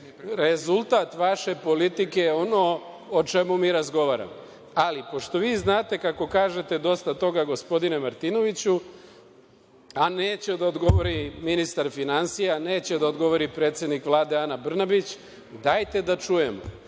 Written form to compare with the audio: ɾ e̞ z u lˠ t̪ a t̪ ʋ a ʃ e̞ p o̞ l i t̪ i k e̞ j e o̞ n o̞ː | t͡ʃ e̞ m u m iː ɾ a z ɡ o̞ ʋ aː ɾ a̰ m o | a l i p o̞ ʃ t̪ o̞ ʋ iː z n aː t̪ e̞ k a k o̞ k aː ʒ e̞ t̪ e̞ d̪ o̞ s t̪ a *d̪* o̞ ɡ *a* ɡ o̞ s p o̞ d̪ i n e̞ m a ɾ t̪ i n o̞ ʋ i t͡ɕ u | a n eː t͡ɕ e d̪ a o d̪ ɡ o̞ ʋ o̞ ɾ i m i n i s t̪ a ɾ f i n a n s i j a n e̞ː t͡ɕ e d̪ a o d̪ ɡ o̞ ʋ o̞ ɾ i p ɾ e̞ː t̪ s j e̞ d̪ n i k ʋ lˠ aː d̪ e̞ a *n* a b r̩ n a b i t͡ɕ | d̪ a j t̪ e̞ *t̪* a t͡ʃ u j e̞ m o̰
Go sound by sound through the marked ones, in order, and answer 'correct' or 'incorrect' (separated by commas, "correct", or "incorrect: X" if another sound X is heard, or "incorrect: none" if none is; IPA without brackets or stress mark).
incorrect: t̪, correct, correct, incorrect: d̪